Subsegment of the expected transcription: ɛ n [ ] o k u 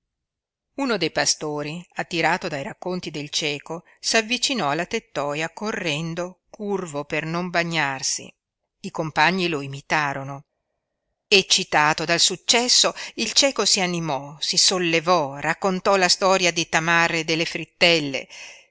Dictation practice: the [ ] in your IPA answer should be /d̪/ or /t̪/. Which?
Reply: d̪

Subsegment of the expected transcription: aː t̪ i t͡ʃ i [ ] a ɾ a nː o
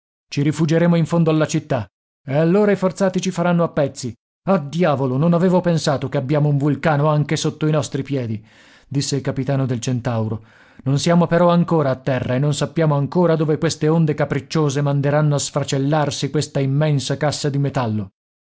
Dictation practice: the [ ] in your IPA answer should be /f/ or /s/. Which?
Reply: f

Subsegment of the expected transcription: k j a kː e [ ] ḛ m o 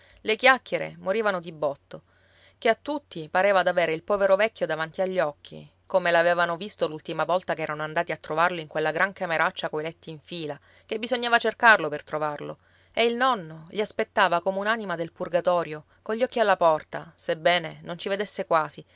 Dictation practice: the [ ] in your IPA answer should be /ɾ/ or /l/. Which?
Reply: ɾ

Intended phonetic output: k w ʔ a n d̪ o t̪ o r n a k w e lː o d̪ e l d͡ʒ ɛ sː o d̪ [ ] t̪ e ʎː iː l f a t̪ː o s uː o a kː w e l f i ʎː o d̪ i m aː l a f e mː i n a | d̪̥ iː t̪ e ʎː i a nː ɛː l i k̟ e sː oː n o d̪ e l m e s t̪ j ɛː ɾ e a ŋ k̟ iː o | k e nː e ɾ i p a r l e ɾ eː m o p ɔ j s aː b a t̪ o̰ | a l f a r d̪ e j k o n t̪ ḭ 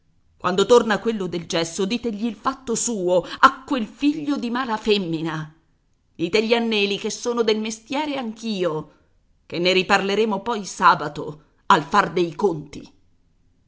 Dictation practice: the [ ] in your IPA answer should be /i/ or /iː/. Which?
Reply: iː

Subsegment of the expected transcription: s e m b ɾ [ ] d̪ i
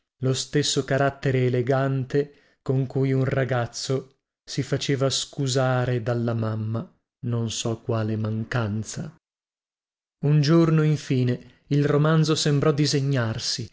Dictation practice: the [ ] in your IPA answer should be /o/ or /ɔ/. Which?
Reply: ɔ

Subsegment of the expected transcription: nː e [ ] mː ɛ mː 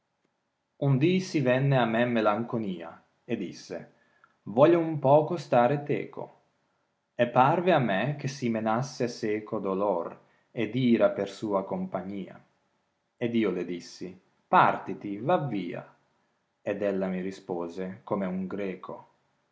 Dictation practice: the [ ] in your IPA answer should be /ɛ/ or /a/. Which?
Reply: a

